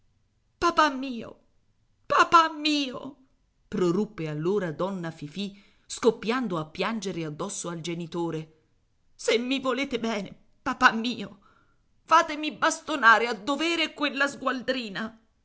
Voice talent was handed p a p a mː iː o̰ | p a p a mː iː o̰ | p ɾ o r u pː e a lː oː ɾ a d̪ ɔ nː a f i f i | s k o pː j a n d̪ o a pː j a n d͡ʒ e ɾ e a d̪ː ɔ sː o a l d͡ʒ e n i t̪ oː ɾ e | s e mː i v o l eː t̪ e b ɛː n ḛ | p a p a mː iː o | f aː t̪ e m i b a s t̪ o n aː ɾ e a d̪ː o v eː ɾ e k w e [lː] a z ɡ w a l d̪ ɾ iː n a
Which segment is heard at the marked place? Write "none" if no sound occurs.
lː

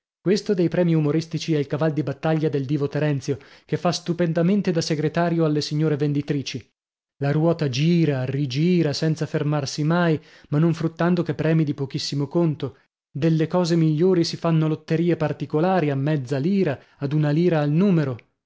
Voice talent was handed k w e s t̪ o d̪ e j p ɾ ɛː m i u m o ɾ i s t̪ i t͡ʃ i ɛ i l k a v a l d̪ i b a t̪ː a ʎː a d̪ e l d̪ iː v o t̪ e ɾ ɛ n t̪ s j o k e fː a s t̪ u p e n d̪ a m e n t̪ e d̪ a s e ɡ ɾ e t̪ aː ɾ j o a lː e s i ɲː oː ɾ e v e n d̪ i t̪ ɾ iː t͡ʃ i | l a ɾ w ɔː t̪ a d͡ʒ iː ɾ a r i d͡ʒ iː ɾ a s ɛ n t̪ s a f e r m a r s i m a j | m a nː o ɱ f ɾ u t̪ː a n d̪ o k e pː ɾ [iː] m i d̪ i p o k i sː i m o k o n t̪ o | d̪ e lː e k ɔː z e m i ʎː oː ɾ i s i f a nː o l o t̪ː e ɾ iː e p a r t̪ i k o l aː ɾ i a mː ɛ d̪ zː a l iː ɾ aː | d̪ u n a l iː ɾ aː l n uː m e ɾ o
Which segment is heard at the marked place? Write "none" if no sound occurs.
ɛː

